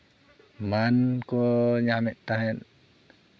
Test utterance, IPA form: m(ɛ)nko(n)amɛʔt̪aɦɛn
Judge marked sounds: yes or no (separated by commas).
no, no